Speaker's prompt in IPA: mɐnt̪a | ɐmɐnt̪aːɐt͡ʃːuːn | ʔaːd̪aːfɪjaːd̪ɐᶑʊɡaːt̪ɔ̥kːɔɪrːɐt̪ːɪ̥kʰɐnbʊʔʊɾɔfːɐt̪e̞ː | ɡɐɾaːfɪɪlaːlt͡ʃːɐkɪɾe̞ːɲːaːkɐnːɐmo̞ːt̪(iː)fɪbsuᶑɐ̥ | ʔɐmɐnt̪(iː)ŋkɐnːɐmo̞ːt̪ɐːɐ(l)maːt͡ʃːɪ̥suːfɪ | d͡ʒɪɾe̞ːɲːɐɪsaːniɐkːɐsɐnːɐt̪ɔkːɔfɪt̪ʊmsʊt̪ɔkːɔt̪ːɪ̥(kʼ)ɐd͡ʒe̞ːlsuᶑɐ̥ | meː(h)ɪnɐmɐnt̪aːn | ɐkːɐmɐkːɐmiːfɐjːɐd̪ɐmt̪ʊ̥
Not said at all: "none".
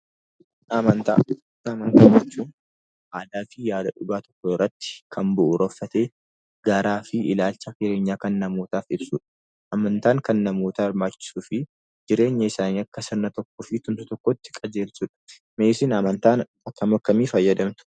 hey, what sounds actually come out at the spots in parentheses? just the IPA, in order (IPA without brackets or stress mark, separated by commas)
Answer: aː, aː, ɾ, kʼ, s